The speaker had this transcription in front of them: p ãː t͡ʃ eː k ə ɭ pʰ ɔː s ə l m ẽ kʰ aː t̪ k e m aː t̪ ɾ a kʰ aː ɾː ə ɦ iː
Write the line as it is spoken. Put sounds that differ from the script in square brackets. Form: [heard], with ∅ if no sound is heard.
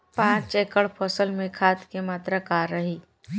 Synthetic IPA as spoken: p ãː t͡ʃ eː k ə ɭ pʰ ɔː s ə l m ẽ kʰ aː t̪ k e m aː t̪ ɾ a [k] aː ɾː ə ɦ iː